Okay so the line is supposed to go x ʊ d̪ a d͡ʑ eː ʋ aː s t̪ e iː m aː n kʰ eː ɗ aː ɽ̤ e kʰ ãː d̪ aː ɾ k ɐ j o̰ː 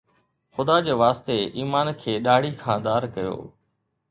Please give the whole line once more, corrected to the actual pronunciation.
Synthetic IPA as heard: x ʊ d̪ a d͡ʑ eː ʋ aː s t̪ e iː m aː n kʰ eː ɗ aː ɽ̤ i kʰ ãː d̪ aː ɾ k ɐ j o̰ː